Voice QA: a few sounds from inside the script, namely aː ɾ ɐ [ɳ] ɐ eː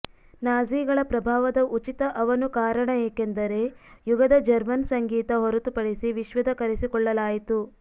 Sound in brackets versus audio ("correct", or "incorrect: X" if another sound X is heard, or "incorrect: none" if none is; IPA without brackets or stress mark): correct